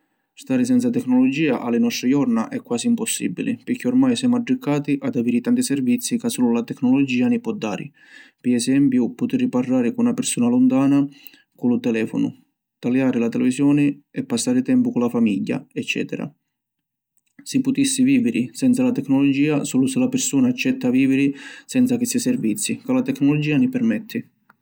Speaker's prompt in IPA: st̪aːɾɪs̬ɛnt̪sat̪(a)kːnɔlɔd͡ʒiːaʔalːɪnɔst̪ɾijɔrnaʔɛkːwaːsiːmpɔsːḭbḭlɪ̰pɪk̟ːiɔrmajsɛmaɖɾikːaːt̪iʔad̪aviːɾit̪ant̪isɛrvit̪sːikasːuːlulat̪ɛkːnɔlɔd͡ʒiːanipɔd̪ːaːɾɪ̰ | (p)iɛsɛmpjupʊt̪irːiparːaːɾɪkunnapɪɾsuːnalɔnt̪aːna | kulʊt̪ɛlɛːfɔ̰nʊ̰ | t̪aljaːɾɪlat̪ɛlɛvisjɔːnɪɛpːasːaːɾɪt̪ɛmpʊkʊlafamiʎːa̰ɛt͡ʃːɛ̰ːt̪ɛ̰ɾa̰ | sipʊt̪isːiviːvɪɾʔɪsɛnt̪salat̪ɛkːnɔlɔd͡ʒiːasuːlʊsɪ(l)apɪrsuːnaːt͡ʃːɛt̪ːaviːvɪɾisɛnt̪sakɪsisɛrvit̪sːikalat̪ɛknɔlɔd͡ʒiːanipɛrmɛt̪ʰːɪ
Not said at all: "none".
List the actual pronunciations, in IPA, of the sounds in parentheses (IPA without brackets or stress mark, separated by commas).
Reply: ɛ, p, l